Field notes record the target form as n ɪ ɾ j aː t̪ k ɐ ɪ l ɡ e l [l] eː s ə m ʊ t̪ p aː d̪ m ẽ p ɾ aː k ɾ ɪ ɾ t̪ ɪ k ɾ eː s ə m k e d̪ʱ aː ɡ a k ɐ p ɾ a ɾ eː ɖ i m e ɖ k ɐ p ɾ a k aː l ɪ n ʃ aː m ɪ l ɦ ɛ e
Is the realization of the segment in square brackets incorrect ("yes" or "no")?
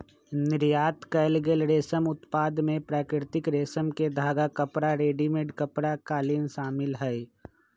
yes